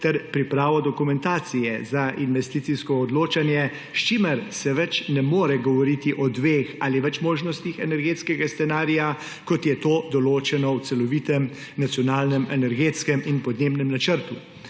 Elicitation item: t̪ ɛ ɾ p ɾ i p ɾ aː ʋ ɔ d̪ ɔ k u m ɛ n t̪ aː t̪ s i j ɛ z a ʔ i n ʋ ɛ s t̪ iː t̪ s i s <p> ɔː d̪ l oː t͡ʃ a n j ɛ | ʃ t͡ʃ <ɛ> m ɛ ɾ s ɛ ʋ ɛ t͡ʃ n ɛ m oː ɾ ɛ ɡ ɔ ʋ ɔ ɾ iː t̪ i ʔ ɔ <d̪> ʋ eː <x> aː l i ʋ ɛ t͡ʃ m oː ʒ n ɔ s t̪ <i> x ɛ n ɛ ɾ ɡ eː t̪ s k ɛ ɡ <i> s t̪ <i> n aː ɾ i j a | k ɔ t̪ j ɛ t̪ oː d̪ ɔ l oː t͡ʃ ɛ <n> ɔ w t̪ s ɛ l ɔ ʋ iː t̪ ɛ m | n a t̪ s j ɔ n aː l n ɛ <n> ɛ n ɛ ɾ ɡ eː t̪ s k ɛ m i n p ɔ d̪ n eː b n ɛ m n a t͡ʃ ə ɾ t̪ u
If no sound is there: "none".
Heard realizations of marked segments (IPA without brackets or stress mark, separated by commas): k, i, d̪, x, i, a, ɛ, n, m